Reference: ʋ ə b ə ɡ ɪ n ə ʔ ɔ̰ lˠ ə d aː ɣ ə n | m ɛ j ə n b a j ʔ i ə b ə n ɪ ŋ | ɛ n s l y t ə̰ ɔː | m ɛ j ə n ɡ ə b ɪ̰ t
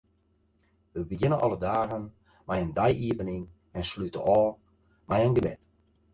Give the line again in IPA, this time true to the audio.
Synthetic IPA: ʋ ə b ə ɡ ɪ n ə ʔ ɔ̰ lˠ ə d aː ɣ ə n | m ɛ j ə n d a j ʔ i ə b ə n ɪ ŋ | ɛ n s l y t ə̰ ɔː | m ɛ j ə n ɡ ə b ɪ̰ t